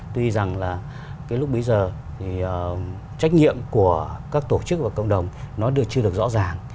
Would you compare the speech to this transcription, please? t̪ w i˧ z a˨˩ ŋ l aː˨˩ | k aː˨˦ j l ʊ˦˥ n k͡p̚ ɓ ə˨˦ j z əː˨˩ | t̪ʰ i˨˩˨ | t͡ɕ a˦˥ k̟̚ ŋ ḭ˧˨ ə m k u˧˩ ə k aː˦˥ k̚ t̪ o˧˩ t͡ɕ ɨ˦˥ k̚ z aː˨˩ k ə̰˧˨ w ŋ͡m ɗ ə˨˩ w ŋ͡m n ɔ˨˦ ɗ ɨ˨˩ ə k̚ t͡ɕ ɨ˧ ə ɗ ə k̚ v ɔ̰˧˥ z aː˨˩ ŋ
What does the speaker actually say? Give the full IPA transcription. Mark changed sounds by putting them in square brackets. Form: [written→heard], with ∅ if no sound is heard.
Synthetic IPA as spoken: t̪ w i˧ z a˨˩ ŋ l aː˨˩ | k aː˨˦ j l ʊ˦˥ [n→∅] k͡p̚ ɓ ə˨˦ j z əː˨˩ | t̪ʰ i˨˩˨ | t͡ɕ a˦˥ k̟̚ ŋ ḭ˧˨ ə m k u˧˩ ə k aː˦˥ k̚ t̪ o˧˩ t͡ɕ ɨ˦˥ k̚ [z→v] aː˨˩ k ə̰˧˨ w ŋ͡m ɗ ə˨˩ w ŋ͡m n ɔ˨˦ ɗ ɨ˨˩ ə k̚ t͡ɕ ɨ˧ ə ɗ ə k̚ [v→z] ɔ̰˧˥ z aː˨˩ ŋ